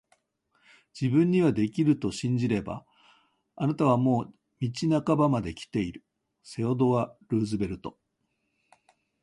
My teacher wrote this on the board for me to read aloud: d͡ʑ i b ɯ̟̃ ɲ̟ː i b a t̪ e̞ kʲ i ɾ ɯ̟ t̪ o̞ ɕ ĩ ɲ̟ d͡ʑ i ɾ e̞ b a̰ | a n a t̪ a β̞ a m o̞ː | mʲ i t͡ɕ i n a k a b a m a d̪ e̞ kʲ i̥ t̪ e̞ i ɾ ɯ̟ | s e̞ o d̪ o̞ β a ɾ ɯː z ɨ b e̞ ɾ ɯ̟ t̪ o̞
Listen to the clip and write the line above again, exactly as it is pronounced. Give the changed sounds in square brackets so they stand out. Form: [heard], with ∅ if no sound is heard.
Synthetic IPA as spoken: d͡ʑ i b ɯ̟̃ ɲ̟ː i [β] a [d̪] e̞ kʲ i ɾ ɯ̟ t̪ o̞ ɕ ĩ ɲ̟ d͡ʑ i ɾ e̞ b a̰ | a n a t̪ a β̞ a m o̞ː | mʲ i t͡ɕ i n a k a b a m a d̪ e̞ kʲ i̥ t̪ e̞ i ɾ ɯ̟ | s e̞ o d̪ o̞ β a ɾ ɯː z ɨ b e̞ ɾ ɯ̟ t̪ o̞